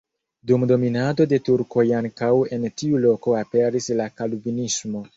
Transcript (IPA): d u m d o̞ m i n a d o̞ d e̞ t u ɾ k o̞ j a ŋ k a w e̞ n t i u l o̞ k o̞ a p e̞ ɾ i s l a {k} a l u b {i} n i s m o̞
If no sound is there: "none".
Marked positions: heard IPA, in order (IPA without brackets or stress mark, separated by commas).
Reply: k, i